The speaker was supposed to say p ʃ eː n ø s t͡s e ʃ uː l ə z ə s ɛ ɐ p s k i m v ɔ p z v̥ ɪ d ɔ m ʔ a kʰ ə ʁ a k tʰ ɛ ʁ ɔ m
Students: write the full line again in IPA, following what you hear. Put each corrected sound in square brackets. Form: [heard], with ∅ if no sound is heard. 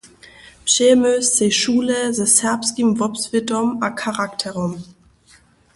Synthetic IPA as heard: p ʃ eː [m] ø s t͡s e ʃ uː l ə z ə s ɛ ɐ p s k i m v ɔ p [s] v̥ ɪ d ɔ m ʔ a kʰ [a] ʁ a k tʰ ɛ ʁ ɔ m